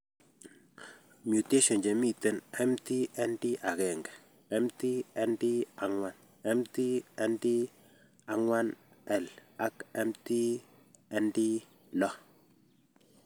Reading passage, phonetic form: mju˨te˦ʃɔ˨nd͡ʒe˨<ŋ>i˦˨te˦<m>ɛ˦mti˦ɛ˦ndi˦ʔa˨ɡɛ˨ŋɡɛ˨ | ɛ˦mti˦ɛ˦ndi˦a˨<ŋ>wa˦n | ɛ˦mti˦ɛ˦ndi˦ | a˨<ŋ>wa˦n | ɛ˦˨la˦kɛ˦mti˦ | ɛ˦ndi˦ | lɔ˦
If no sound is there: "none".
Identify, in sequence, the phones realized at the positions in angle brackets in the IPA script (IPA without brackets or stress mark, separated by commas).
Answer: m, n, ŋ, ŋ